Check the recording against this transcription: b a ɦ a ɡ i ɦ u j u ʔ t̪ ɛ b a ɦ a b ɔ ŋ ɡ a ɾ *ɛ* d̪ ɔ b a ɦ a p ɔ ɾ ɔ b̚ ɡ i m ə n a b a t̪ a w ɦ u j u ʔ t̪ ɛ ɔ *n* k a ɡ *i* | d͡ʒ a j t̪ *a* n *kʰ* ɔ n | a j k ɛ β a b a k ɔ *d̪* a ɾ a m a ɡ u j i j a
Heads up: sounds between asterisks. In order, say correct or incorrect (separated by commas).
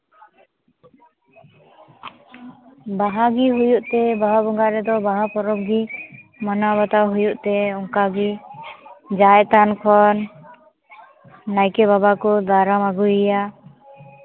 correct, incorrect, correct, correct, correct, correct